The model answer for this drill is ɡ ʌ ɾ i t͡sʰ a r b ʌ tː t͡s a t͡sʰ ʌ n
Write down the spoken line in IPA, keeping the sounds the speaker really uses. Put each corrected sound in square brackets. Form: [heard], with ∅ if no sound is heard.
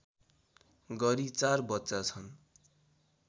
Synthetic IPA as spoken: ɡ ʌ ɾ i [t͡s] a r b ʌ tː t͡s a t͡sʰ ʌ n